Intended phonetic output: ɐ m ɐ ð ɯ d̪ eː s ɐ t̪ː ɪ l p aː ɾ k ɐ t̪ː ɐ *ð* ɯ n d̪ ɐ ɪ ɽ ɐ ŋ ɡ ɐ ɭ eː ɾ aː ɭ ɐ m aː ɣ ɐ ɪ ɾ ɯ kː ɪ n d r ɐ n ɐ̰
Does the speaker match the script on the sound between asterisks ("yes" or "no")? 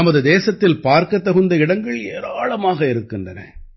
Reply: no